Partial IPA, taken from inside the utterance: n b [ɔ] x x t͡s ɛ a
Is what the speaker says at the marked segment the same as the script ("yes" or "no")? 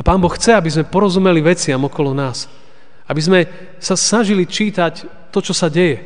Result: yes